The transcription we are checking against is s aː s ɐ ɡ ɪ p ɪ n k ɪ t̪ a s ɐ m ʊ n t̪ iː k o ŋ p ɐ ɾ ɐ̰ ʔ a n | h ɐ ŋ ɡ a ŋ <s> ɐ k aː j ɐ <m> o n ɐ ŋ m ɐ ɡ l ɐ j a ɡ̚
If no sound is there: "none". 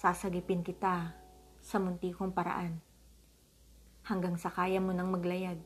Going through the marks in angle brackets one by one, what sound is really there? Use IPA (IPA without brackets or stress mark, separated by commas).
s, m